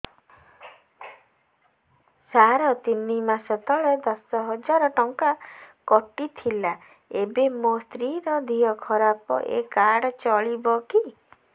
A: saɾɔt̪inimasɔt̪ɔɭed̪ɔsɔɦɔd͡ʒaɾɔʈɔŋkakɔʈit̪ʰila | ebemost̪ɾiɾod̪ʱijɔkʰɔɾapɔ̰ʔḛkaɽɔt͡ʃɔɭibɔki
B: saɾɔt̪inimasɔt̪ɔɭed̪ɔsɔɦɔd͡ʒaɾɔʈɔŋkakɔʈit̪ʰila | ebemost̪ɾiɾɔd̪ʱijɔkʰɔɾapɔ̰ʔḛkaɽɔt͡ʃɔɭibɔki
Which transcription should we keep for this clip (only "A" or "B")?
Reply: B